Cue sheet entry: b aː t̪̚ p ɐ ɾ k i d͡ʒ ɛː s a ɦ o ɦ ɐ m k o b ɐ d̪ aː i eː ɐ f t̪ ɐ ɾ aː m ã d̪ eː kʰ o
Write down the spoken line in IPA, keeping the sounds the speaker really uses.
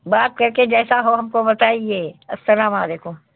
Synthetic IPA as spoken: b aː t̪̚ k ɐ ɾ k e d͡ʒ ɛː s a ɦ o ɦ ɐ m k o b ɐ t̪ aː i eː ɐ s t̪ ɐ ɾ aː m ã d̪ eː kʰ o